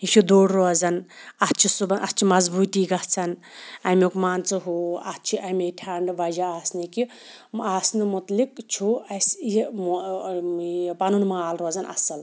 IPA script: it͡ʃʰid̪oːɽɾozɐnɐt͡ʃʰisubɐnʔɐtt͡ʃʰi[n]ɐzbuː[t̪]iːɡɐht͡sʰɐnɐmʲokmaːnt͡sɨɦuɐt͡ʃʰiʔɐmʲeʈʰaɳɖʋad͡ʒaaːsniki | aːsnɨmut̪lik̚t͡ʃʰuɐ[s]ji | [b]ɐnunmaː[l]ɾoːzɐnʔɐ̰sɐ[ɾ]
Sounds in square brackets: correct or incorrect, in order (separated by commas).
incorrect, correct, correct, incorrect, correct, incorrect